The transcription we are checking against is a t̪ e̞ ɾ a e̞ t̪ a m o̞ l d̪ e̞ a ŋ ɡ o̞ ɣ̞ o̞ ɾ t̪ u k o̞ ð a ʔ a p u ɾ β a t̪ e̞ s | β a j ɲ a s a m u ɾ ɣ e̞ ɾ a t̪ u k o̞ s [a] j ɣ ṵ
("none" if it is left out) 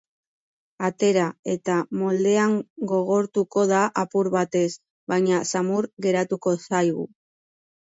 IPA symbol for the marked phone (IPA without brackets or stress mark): a